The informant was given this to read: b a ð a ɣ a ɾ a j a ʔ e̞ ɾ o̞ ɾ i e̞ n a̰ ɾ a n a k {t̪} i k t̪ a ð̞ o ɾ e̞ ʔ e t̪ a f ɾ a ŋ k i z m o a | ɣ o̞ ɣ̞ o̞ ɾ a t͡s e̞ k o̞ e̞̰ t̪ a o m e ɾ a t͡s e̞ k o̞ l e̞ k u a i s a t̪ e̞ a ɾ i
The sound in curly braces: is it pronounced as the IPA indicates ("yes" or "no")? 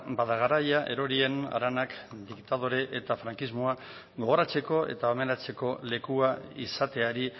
no